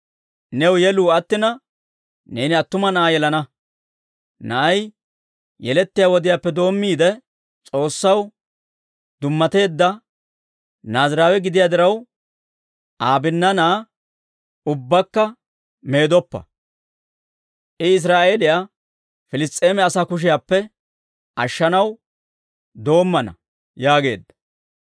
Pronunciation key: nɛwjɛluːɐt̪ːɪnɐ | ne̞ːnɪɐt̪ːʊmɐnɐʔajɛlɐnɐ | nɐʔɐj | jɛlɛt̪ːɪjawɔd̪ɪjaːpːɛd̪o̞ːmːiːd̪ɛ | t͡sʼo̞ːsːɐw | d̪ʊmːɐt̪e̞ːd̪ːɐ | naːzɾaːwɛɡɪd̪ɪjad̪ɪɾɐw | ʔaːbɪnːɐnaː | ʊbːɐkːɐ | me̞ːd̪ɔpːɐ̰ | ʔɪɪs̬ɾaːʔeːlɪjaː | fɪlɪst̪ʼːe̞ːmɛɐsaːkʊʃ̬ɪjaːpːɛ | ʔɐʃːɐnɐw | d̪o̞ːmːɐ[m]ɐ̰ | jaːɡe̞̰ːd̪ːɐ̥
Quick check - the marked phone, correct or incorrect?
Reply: incorrect